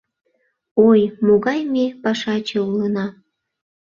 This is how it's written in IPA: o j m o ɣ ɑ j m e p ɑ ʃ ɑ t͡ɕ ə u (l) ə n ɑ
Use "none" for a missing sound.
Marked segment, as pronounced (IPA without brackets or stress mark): l